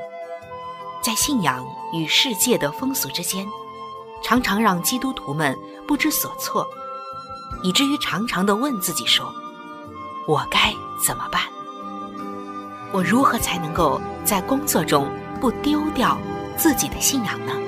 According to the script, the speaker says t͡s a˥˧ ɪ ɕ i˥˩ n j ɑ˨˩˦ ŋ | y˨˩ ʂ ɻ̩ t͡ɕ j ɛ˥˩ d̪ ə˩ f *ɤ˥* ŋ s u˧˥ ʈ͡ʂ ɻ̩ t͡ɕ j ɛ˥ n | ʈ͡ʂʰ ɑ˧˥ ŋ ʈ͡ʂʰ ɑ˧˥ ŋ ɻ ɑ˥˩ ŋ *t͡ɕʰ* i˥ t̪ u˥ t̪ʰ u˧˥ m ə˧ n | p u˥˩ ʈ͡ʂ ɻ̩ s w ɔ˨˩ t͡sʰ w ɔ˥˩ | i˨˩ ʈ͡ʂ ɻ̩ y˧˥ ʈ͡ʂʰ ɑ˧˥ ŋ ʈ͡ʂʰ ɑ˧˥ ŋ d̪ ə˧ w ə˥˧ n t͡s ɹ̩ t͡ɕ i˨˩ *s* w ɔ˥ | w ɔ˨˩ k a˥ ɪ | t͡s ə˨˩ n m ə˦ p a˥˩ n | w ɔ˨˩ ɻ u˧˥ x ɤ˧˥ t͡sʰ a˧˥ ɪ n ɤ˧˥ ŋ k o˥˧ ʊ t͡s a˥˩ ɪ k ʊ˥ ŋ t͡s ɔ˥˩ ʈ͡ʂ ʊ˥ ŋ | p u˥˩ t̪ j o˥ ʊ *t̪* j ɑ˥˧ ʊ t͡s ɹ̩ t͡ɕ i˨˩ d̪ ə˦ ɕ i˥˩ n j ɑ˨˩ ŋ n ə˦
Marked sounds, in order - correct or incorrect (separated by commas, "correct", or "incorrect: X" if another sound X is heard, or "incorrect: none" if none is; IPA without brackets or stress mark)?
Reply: correct, incorrect: t͡ɕ, incorrect: ʂ, correct